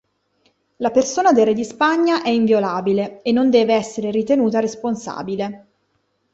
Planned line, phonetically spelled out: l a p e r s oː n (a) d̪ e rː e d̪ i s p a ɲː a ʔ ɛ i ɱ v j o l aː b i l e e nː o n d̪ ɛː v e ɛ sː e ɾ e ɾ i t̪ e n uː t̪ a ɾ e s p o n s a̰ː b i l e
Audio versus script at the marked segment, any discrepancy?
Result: no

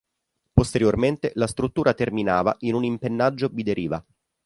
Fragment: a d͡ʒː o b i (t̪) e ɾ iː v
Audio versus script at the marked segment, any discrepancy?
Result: yes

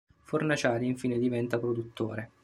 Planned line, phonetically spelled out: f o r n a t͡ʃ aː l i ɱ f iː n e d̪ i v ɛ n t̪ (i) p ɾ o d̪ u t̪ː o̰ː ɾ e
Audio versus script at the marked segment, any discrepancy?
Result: yes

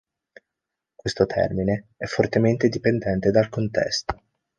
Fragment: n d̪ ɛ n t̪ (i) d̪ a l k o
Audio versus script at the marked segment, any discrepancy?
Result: yes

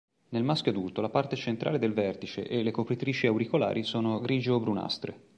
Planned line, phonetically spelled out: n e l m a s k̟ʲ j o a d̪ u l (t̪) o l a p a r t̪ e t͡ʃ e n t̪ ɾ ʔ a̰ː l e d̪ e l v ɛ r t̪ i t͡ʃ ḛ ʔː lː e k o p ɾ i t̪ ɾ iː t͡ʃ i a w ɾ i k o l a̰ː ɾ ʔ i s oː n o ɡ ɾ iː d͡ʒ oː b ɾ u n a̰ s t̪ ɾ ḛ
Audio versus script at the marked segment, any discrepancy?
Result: no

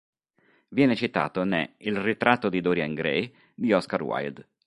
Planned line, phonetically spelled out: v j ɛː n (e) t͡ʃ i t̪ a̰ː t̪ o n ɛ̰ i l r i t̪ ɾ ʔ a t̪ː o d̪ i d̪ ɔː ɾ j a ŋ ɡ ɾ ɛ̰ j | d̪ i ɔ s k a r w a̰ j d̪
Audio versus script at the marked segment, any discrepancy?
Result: no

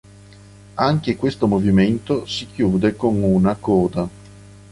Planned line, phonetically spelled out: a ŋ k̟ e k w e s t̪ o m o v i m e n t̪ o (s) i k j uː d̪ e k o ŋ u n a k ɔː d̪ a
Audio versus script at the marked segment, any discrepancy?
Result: no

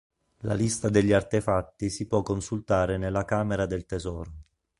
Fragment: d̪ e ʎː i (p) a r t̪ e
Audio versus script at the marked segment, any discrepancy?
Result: yes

